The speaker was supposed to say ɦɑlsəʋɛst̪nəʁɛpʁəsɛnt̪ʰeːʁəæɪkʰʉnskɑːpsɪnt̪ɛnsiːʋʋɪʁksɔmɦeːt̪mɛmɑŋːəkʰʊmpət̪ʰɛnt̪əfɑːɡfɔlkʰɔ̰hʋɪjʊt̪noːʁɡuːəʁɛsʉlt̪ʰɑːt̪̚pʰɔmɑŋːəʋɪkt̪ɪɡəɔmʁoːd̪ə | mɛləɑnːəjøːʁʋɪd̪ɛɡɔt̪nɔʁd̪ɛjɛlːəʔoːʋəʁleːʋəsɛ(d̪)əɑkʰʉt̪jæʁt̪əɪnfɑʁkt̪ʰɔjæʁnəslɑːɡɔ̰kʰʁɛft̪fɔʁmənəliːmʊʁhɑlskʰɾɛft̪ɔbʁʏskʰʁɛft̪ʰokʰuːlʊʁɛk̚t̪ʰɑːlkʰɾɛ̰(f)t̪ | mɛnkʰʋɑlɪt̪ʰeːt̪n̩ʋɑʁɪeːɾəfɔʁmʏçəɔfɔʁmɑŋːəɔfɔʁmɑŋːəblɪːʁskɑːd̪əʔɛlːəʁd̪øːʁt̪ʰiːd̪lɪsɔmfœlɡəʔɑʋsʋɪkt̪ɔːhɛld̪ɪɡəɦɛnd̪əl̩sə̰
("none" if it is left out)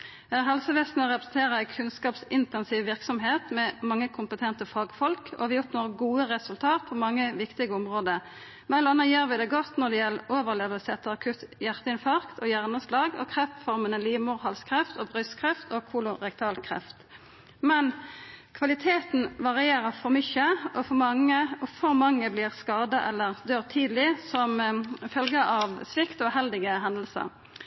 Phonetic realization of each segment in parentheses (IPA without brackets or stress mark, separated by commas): t̪, f